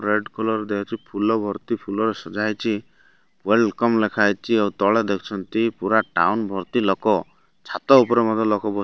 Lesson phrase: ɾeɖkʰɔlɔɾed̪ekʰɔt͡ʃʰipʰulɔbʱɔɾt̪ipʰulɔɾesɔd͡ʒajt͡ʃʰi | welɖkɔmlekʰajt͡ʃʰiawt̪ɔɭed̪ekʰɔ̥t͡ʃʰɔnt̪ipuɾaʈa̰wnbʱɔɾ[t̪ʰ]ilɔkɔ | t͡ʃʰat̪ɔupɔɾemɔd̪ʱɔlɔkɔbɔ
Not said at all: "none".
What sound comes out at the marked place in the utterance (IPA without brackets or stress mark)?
t̪